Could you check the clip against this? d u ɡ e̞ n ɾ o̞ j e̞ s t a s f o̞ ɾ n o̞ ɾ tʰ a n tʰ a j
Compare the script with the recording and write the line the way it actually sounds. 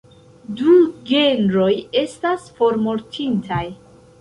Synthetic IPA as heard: d u ɡ e̞ n ɾ o̞ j e̞ s t a s f o̞ ɾ m o̞ ɾ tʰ i n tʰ a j